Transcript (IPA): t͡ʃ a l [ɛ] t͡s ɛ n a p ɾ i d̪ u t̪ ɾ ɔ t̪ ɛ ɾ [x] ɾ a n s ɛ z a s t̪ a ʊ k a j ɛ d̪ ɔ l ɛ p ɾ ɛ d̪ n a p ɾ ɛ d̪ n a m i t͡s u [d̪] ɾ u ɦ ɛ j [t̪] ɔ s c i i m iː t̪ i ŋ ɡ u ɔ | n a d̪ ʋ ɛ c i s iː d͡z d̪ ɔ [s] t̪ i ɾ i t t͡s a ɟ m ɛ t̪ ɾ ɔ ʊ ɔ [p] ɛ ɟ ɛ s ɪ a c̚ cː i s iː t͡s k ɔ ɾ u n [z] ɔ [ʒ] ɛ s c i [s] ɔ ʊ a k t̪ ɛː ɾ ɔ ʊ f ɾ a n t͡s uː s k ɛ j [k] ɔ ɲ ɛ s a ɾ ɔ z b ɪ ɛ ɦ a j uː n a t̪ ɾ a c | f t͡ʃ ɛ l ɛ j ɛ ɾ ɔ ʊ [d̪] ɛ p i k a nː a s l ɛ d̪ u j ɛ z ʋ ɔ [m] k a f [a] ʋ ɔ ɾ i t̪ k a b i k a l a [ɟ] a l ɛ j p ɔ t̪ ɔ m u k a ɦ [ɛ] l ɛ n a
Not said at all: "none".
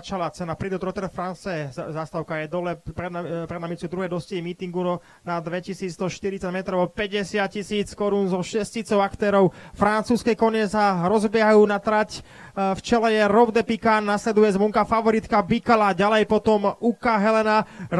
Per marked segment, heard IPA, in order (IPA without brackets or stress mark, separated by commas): a, f, d̪, d̪, ʃ, p, z, ʃ, t͡s, k, d̪, ŋ, a, ɟ, ɛ